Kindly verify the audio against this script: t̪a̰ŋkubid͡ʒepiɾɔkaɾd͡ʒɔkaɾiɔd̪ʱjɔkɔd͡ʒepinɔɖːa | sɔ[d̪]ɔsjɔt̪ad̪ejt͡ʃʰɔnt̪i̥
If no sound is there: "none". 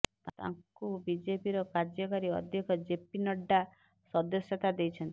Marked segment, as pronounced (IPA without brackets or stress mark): d̪